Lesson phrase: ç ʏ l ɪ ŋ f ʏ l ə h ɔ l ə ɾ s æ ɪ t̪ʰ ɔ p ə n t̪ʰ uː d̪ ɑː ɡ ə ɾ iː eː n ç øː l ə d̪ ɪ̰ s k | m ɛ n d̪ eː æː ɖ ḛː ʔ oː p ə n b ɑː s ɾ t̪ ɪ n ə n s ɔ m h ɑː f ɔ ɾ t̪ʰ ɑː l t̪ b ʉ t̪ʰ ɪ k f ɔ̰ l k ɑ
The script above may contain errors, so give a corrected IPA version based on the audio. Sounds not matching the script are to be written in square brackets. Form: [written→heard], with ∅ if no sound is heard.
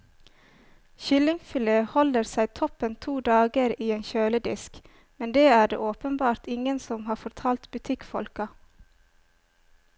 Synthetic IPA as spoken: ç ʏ l ɪ ŋ f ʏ l ə h ɔ l ə ɾ s æ ɪ t̪ʰ ɔ p ə n t̪ʰ uː d̪ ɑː ɡ ə ɾ iː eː n ç øː l ə d̪ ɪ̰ s k | m ɛ n d̪ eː æː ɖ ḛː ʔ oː p ə n b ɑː [s→∅] ɾ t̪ ɪ [n→ŋ] ə n s ɔ m h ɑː f ɔ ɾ t̪ʰ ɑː l t̪ b ʉ t̪ʰ ɪ k f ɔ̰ l k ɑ